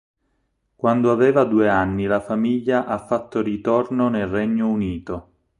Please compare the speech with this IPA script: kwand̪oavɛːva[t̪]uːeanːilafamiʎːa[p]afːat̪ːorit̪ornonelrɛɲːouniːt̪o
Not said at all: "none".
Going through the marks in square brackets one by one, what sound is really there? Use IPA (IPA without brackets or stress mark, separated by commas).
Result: d̪, ʔ